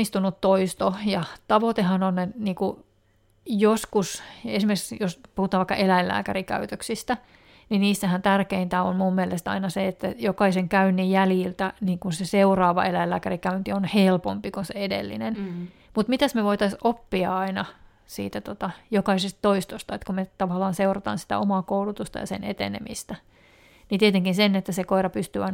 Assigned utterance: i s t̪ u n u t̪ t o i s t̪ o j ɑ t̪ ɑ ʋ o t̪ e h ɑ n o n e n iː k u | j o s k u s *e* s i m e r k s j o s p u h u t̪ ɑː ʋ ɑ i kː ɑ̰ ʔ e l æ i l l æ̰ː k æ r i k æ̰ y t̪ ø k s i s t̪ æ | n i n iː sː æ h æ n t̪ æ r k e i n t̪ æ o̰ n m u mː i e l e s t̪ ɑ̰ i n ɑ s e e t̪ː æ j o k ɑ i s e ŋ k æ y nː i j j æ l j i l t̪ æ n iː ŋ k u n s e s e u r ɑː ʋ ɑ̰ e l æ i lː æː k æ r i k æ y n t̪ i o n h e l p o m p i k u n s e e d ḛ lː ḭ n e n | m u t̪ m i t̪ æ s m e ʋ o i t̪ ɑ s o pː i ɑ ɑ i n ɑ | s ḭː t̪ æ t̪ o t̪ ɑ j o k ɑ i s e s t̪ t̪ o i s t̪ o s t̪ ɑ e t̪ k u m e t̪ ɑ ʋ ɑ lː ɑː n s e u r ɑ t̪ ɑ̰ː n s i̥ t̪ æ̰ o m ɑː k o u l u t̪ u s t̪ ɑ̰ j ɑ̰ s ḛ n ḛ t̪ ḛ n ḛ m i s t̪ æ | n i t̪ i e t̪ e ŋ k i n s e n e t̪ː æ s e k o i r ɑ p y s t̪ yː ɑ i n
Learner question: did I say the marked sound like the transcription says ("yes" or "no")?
yes